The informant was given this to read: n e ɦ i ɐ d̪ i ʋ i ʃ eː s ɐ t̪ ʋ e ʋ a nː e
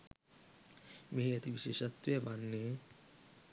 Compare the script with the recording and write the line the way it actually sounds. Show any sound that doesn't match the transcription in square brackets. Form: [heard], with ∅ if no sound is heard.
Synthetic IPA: [m] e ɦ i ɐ [t̪] i ʋ i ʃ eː [ʃ] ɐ t̪ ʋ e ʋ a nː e